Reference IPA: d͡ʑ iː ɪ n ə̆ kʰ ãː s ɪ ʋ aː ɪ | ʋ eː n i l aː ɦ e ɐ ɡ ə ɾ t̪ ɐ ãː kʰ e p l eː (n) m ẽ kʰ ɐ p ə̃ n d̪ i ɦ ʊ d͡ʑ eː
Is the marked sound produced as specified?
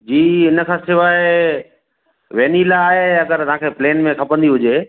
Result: yes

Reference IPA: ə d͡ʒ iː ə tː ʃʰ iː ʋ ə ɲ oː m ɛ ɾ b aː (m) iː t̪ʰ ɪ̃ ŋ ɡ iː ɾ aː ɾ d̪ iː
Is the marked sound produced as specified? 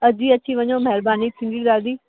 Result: no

